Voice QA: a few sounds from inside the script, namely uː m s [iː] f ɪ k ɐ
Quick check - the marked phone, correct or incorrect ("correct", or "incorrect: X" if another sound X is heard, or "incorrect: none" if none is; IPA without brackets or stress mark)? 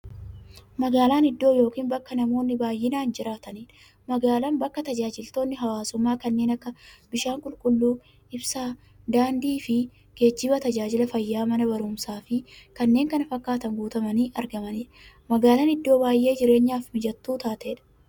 incorrect: aː